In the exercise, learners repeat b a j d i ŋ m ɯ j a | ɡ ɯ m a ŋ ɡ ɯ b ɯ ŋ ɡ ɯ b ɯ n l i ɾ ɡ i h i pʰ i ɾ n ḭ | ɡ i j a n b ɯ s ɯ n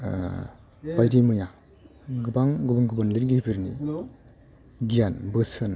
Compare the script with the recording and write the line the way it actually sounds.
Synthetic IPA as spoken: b a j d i m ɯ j a | ɡ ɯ b a ŋ ɡ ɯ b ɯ ŋ ɡ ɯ b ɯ n l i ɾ ɡ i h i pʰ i ɾ n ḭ | ɡ i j a n b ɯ s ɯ n

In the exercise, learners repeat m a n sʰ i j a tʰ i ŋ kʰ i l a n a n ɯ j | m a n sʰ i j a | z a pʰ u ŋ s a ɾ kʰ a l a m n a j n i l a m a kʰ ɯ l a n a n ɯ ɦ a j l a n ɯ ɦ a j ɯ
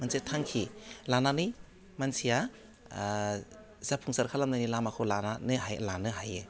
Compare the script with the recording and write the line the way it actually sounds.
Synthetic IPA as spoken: m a n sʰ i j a tʰ a ŋ kʰ i l a n a n ɯ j | m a n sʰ i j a | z a pʰ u ŋ s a ɾ kʰ a l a m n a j n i l a m a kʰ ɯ l a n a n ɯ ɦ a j l a n ɯ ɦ a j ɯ

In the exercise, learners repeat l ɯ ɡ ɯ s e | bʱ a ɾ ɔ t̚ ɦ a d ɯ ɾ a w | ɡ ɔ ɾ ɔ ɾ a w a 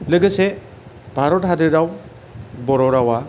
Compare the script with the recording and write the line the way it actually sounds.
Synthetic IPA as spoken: l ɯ ɡ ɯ s e | bʱ a ɾ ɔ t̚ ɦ a d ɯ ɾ a w | b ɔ ɾ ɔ ɾ a w a

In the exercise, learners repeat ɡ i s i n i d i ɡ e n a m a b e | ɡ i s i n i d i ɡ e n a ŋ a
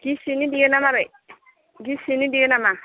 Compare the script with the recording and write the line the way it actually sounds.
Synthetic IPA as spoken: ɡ i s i n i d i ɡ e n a m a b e | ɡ i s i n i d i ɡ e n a m a

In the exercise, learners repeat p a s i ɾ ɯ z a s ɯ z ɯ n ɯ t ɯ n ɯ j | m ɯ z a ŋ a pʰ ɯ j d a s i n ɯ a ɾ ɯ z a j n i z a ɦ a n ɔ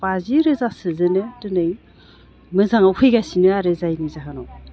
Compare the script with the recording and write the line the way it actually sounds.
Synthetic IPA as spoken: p a z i ɾ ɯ z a s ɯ z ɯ n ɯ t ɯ n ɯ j | m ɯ z a ŋ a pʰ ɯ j ɡ a s i n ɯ a ɾ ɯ z a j n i z a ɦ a n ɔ

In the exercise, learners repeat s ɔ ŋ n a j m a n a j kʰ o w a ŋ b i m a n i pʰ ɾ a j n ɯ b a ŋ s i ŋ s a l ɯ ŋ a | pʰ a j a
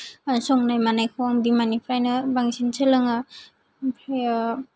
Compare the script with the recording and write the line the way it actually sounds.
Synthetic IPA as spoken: s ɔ ŋ n a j m a n a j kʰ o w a ŋ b i m a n i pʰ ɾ a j n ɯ b a ŋ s i n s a l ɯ ŋ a | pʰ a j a

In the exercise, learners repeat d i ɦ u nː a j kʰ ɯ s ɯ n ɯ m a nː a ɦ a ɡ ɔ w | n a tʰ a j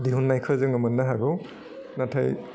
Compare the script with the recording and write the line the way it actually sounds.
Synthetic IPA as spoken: d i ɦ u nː a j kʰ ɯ z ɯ ŋ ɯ m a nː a ɦ a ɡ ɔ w | n a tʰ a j

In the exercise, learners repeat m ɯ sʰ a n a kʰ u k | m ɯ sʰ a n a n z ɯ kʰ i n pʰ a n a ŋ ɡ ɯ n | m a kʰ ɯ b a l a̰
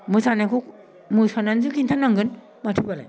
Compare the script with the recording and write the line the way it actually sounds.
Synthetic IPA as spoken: m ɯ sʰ a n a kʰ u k | m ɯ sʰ a n a n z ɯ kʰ i n tʰ a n a ŋ ɡ ɯ n | m a tʰ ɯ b a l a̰

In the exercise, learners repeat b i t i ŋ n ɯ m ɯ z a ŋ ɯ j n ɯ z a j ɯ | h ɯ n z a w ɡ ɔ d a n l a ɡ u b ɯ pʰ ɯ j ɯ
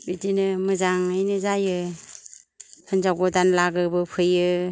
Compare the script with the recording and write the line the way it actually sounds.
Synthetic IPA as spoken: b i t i n ɯ m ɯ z a ŋ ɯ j n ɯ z a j ɯ | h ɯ n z a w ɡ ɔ d a n l a ɡ ɯ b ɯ pʰ ɯ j ɯ

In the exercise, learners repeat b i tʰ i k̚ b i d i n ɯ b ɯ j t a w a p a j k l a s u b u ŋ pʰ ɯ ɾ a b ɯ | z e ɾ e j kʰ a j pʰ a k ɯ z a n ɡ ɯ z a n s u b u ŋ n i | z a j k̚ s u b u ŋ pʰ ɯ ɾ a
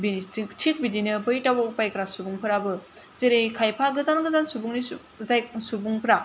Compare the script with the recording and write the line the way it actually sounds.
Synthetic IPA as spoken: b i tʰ i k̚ b i d i n ɯ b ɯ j t a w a p a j k ɾ a s u b u ŋ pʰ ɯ ɾ a b ɯ | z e ɾ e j kʰ a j pʰ a ɡ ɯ z a n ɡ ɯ z a n s u b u ŋ n i | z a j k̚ s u b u ŋ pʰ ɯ ɾ a

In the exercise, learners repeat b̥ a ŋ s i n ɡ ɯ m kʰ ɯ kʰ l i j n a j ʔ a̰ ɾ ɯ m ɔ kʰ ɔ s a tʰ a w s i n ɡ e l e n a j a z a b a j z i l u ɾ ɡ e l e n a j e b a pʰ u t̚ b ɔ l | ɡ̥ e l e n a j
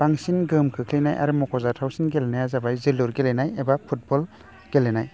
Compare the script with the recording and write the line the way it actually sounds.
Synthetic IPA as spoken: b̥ a ŋ s i n ɡ ɯ m kʰ ɯ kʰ l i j n a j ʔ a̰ ɾ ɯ m ɔ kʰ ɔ z a tʰ a w s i n ɡ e l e n a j a z a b a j z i l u ɾ ɡ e l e n a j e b a pʰ u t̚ b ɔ l | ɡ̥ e l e n a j

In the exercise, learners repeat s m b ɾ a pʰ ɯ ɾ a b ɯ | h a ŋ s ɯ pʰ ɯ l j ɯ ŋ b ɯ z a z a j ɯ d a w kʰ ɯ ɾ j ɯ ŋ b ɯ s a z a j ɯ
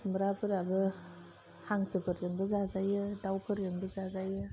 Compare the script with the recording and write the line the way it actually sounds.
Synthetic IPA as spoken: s m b ɾ a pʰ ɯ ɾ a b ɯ | h a ŋ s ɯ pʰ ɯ ɾ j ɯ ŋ b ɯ z a z a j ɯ d a w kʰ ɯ ɾ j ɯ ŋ b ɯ z a z a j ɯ

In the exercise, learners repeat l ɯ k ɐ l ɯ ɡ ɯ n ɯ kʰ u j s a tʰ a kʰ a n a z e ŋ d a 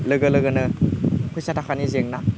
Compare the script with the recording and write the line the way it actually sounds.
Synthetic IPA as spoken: l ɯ ɡ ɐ l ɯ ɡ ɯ n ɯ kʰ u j s a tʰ a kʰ a n i z e ŋ n a

